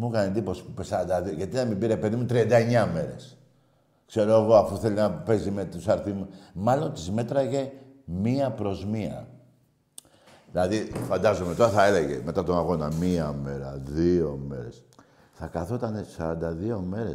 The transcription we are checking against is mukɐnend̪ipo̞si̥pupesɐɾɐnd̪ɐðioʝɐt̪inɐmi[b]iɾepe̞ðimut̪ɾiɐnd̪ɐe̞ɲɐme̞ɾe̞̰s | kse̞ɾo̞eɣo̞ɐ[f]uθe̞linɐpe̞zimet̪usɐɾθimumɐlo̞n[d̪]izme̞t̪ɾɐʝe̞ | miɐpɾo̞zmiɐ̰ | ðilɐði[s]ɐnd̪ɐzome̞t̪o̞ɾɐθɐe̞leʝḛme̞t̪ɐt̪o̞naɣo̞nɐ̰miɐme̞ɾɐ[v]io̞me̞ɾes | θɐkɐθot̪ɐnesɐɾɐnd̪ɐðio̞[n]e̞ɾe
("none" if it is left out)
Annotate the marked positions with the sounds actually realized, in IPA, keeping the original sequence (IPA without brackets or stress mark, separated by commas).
b, f, t̪, f, ð, m